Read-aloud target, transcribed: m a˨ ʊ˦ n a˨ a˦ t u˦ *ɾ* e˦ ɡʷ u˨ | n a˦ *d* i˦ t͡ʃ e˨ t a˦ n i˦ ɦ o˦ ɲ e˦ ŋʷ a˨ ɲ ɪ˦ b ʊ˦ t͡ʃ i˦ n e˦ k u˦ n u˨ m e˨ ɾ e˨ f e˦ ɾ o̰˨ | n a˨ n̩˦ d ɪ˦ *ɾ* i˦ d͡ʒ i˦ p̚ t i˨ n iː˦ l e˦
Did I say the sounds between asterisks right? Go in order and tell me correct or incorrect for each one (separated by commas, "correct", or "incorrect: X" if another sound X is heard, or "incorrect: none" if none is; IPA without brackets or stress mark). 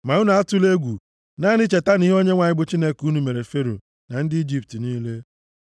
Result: incorrect: l, incorrect: n, incorrect: none